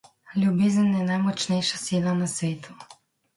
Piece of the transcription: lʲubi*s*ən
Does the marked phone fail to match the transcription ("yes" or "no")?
yes